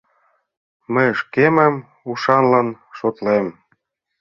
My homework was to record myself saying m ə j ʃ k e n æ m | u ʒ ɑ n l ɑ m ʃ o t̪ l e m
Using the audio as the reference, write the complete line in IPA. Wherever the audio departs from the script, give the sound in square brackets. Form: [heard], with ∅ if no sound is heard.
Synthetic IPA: m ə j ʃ k e [m] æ m | u [ʃ] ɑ n l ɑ [n] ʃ o t̪ l e m